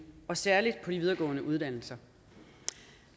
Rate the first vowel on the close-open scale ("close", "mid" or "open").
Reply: open